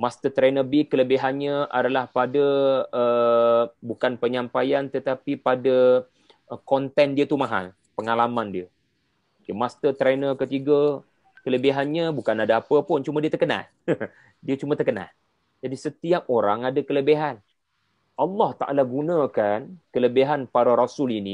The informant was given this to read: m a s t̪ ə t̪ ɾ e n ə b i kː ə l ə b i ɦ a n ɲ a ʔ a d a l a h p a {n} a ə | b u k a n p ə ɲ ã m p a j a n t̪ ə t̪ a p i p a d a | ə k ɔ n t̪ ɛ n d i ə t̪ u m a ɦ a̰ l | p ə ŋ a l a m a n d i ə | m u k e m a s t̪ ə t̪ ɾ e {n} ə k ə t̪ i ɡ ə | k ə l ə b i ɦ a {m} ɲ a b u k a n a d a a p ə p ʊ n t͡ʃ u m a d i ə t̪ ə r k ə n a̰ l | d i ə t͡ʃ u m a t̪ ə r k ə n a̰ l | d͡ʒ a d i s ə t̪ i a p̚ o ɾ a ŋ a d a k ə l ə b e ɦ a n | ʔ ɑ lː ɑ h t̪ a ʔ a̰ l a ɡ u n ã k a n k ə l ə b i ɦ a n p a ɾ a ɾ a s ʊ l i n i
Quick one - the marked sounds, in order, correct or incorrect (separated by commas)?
incorrect, correct, incorrect